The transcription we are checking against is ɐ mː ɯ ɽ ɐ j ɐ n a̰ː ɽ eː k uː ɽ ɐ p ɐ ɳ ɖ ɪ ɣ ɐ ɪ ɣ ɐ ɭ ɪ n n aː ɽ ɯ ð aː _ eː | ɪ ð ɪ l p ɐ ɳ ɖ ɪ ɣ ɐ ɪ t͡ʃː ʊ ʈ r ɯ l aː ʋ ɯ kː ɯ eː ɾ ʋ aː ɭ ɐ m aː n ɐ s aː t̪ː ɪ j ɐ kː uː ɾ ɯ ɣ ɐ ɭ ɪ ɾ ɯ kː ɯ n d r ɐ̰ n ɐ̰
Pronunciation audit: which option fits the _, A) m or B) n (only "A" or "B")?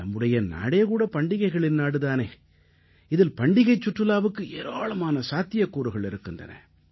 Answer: B